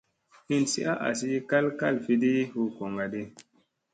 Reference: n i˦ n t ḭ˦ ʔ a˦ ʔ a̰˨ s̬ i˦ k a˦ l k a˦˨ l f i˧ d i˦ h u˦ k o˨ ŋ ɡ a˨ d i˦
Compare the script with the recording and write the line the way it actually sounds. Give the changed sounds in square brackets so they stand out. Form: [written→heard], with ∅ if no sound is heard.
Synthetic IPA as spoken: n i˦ n [t→s] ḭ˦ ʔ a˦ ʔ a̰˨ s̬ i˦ k a˦ l k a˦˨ l f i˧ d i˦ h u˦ k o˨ ŋ ɡ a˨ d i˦